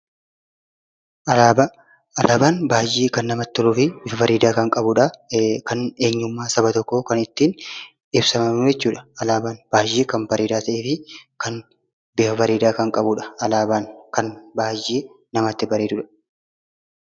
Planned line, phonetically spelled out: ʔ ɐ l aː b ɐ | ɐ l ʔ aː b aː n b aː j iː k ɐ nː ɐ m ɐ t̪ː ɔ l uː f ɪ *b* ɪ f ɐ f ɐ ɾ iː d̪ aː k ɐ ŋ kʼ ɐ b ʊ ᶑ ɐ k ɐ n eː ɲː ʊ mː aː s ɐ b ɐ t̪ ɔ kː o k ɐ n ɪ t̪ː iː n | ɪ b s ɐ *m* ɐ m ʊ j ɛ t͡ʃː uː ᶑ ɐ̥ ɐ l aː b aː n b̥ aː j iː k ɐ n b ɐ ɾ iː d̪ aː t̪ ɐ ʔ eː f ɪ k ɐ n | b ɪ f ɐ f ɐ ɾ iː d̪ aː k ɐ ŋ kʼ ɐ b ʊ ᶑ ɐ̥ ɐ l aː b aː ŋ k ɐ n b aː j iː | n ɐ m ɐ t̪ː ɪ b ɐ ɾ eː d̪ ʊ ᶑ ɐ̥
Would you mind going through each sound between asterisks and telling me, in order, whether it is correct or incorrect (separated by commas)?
correct, correct